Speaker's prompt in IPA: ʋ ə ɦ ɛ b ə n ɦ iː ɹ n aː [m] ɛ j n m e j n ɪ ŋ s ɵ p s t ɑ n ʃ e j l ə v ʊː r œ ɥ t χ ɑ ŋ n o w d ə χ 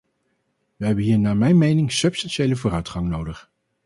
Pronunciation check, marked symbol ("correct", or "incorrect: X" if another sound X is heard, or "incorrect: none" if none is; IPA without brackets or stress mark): correct